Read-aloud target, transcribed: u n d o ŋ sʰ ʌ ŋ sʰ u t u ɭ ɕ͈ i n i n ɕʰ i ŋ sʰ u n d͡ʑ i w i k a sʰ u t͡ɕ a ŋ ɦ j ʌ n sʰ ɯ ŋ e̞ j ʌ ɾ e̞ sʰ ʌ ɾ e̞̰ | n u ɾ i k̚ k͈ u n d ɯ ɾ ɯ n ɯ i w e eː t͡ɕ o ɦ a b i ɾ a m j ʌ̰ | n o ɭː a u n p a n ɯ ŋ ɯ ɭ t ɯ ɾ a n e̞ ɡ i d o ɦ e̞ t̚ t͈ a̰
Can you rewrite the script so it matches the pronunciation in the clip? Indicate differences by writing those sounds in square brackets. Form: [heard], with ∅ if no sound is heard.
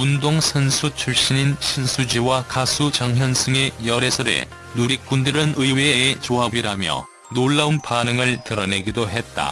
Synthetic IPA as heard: u n d o ŋ sʰ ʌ [n] sʰ u [t͡ɕʰ] u ɭ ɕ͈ i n i n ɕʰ i [n] sʰ u [∅] d͡ʑ i w [a] k a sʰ u t͡ɕ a ŋ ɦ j ʌ n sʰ ɯ ŋ e̞ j ʌ ɾ e̞ sʰ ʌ ɾ e̞̰ | n u ɾ i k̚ k͈ u n d ɯ ɾ ɯ n ɯ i w e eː t͡ɕ o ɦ a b i ɾ a m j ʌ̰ | n o ɭː a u n p a n ɯ ŋ ɯ ɭ t ɯ ɾ [ʌ] n e̞ ɡ i d o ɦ e̞ t̚ t͈ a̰